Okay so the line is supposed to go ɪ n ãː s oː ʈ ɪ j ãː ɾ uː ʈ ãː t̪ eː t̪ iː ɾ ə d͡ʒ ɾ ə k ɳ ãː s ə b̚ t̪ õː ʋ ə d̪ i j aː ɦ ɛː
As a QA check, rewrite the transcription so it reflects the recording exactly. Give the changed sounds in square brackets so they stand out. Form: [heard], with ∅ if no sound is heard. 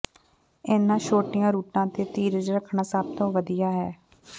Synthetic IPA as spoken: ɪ n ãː [ʃ] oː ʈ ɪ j ãː ɾ uː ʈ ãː t̪ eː t̪ iː ɾ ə d͡ʒ ɾ ə [kʰ] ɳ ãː s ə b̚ t̪ õː ʋ ə d̪ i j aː ɦ ɛː